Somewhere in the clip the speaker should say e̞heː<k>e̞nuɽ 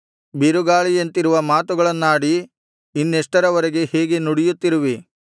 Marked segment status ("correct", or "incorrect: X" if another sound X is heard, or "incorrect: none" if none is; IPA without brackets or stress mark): incorrect: ɡ